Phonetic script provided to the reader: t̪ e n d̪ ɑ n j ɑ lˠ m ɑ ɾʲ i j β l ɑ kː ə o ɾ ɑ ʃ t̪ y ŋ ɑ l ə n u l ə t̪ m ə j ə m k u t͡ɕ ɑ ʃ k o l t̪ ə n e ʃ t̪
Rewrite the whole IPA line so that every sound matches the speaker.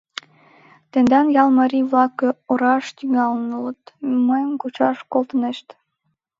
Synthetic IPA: t̪ e n d̪ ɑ n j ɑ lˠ m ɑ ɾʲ i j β l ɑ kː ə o ɾ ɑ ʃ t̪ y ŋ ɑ l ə n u l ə t̪ m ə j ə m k u t͡ɕ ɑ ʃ k o l t̪ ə n e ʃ t̪